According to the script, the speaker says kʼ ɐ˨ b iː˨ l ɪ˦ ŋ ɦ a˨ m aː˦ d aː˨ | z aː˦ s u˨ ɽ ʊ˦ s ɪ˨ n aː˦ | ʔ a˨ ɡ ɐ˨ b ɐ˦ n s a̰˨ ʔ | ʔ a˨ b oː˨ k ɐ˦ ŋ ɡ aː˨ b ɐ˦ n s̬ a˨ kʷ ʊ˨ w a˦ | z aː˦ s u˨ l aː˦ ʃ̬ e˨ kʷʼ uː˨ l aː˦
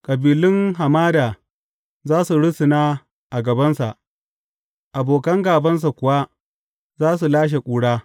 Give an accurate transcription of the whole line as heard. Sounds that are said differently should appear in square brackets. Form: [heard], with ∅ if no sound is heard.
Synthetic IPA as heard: kʼ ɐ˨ b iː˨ l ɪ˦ ŋ ɦ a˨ m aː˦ d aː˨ | z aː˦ s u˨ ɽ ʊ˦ s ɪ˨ n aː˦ | ʔ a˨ ɡ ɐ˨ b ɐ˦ n s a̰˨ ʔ | ʔ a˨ b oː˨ k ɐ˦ ŋ ɡ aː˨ b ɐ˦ n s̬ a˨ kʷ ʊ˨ w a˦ | z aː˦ s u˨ l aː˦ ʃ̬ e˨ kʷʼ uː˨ [ɽ] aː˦